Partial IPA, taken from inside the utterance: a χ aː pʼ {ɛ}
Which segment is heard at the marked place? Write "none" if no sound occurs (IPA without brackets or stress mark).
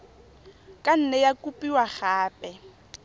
ɛ